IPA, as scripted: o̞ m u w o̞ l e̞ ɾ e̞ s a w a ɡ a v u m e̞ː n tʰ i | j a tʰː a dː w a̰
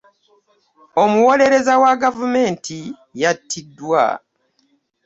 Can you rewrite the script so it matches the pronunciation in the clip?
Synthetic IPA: o̞ m u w o̞ l e̞ ɾ e̞ z a w a ɡ a v u m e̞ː n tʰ i | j a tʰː i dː w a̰